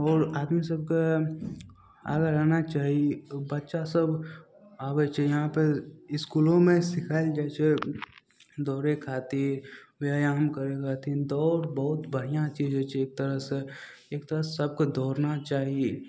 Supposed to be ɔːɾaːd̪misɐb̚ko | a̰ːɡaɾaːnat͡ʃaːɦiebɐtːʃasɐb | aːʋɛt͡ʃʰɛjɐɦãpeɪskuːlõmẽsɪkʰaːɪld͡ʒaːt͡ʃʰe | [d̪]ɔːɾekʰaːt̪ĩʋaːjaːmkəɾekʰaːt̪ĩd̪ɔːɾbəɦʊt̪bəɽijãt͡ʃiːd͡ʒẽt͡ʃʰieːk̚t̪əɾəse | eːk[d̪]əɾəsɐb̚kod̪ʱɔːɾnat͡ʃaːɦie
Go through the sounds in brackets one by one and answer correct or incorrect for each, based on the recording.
correct, incorrect: t̪

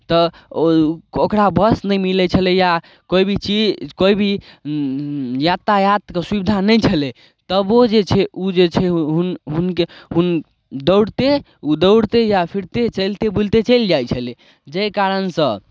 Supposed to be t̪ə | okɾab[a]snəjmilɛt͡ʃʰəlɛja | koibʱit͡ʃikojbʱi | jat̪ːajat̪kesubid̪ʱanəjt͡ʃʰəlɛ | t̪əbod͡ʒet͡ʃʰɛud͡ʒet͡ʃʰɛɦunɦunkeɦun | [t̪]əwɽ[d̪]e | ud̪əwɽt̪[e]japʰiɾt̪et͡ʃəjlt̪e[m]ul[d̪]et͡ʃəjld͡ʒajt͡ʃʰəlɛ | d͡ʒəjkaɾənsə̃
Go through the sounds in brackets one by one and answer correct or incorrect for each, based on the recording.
incorrect: ə, incorrect: d̪, incorrect: t̪, correct, incorrect: b, incorrect: t̪

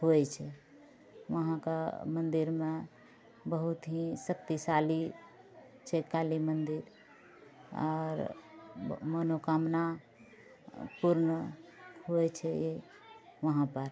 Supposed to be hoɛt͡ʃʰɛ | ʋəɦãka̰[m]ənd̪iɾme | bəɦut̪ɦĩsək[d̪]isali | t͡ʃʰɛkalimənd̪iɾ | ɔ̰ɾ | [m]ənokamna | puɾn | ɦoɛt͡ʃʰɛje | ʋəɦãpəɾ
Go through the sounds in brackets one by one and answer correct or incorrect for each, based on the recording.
correct, incorrect: t̪, correct

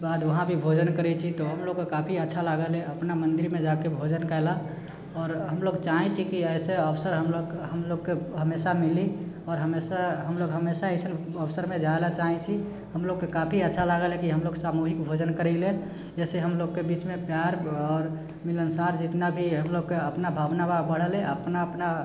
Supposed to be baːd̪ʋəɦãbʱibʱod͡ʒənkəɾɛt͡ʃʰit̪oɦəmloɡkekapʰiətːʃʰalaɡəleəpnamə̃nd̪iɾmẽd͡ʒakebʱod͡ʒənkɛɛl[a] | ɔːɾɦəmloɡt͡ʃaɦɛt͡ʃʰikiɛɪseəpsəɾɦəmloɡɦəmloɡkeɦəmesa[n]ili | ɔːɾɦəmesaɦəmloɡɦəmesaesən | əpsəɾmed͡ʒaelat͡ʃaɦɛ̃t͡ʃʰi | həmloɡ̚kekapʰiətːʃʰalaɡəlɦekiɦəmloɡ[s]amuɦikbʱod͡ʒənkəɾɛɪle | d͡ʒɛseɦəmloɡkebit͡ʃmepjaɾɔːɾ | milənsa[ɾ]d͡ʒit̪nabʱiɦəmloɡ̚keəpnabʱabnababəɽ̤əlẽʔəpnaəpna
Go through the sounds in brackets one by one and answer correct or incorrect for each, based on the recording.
correct, incorrect: m, correct, correct

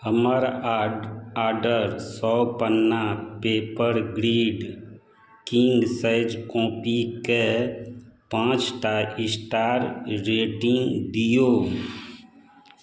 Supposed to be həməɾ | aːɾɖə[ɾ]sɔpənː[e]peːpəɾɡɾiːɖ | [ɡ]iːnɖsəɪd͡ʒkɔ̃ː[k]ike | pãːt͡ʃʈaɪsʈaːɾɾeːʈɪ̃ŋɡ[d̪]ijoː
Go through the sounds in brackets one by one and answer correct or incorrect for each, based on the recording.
correct, incorrect: a, incorrect: k, incorrect: p, correct

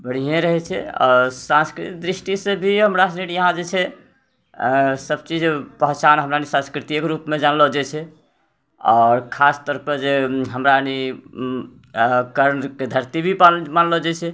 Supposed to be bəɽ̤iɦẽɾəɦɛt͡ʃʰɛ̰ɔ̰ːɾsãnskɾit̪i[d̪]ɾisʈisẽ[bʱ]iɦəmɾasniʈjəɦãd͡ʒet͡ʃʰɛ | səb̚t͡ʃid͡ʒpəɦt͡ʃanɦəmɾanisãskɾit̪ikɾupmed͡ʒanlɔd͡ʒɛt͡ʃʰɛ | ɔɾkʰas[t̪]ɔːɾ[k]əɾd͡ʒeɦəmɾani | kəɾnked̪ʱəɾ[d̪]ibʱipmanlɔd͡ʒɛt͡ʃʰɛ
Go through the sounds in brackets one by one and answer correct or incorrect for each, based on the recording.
correct, correct, correct, incorrect: p, incorrect: t̪

